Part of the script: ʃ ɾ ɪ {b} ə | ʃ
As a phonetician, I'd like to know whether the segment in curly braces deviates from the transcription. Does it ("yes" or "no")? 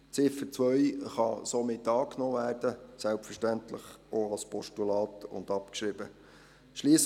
no